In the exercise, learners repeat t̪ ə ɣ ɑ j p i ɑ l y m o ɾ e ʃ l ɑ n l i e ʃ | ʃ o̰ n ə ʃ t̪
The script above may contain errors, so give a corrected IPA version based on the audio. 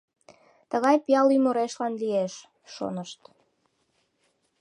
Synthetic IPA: t̪ ə ɣ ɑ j p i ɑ l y m o ɾ e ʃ l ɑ n l i e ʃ | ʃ o̰ n ə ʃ t̪